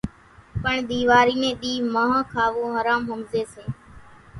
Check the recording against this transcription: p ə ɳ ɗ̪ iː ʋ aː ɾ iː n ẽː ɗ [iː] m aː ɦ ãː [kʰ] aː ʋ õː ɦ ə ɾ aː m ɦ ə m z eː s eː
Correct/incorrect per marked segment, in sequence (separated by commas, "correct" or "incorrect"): correct, correct